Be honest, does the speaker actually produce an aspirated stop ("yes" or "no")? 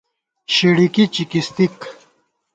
no